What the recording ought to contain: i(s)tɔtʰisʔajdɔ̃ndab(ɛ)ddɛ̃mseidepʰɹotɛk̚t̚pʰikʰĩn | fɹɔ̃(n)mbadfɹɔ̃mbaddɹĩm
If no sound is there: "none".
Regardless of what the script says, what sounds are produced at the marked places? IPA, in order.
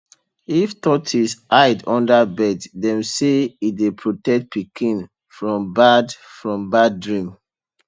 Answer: f, ɛ, none

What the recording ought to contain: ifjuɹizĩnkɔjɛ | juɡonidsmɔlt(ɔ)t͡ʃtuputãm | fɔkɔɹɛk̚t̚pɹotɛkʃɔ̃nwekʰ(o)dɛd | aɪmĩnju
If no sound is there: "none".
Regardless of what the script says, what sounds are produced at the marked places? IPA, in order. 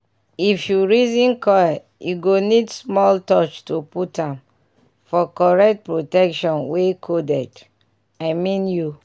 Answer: ɔ, o

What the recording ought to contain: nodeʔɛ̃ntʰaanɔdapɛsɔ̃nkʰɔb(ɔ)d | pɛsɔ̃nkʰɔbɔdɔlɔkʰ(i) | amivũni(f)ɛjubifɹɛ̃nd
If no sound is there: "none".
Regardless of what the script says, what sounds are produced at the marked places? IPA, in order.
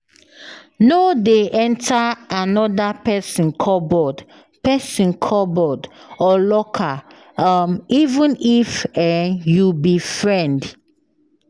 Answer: ɔ, a, f

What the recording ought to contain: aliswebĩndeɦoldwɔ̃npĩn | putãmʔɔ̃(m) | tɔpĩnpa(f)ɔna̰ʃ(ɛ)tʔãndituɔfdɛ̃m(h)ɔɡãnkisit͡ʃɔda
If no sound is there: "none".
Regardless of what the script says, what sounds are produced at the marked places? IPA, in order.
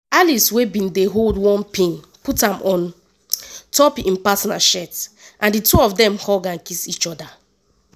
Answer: n, s, ɛ, h

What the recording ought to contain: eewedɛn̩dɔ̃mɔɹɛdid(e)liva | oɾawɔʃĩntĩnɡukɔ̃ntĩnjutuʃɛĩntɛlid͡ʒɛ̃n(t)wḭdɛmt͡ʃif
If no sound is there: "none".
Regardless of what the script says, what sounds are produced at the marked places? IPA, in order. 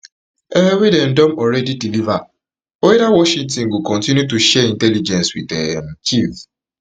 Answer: i, s

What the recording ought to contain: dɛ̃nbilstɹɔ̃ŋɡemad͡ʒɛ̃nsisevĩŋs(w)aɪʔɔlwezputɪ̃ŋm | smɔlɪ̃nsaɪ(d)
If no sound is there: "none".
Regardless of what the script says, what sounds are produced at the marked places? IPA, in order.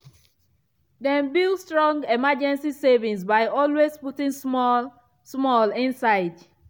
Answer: b, d

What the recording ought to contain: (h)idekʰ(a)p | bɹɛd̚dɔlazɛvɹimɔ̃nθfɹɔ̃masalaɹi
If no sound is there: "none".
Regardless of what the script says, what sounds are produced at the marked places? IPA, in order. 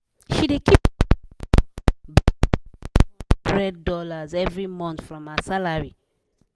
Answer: ʃ, i

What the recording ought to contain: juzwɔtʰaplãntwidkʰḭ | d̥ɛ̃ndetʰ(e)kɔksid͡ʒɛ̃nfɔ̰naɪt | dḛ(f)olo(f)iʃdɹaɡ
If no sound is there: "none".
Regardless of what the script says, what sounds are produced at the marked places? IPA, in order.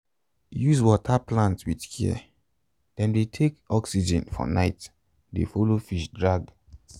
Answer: e, f, f

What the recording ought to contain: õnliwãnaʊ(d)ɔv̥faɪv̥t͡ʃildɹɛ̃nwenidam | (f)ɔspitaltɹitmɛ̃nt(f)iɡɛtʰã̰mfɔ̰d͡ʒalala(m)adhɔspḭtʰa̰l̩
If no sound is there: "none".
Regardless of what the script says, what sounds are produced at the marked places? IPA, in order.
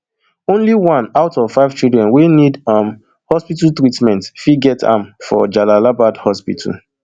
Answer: t, h, f, b

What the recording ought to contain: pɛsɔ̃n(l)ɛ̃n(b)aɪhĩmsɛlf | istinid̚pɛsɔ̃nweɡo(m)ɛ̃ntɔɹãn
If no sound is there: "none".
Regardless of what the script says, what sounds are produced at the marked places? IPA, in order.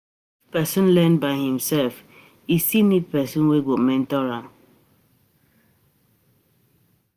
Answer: l, b, m

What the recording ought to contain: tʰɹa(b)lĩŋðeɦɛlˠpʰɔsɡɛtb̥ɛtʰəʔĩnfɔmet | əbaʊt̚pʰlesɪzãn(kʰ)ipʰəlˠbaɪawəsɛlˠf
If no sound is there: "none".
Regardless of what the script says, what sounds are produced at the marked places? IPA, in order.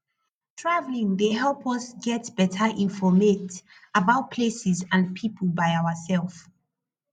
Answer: v, pʰ

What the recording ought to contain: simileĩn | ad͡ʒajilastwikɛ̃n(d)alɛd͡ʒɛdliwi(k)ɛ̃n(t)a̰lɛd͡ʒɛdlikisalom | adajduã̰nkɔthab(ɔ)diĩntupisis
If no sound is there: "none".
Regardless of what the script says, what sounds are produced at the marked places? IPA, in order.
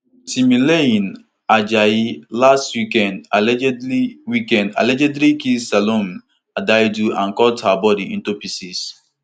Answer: d, k, d, ɔ

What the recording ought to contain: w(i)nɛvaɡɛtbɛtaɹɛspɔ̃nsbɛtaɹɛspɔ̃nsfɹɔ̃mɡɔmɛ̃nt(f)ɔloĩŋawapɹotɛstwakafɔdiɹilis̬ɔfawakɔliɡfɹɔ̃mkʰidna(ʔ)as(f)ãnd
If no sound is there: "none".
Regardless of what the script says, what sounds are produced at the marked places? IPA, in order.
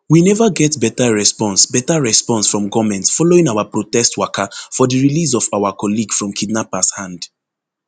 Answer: i, f, p, h

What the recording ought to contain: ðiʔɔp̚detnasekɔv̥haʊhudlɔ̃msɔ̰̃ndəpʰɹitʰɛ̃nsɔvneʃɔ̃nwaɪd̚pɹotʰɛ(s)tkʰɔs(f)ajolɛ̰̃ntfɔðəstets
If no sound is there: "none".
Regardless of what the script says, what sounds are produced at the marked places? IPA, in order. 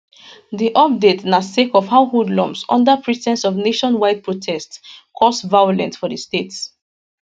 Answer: s, v

